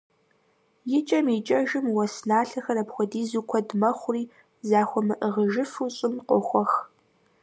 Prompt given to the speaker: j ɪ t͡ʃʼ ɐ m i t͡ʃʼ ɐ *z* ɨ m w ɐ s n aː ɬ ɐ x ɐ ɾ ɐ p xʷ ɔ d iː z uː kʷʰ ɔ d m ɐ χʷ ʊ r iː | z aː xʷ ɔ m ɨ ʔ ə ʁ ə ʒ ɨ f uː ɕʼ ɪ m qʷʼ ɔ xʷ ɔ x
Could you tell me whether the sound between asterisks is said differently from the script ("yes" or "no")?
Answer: yes